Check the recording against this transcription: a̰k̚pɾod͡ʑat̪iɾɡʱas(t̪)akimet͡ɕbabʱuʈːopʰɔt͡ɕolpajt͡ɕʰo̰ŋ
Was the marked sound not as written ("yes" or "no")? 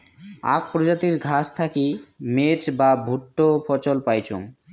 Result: yes